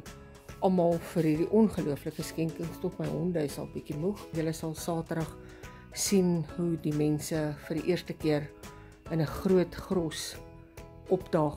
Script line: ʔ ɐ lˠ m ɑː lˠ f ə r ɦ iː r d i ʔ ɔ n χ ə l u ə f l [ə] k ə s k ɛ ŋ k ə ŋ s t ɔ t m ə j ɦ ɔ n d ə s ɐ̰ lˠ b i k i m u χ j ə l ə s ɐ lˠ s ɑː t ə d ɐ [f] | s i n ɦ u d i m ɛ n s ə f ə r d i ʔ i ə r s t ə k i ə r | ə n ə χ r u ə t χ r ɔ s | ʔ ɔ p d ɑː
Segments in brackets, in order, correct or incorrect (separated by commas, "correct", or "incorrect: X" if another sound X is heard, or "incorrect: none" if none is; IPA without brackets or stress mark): correct, incorrect: χ